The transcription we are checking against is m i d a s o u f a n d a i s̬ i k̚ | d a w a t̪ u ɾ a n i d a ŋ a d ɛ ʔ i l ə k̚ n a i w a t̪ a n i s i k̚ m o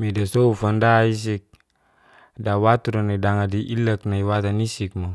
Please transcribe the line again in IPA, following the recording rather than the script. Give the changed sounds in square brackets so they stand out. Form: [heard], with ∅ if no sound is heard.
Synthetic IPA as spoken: m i d a s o u f a n d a i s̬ i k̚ | d a w a t̪ u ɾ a n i d a ŋ a d [i] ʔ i l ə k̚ n a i w a t̪ a n i s i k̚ m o